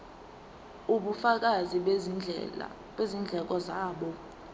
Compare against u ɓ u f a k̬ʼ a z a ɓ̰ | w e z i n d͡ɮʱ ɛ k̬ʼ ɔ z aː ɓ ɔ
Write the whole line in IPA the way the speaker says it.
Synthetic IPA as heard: u ɓ u f a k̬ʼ a z i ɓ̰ | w e z i n d͡ɮʱ ɛ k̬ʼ ɔ z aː ɓ ɔ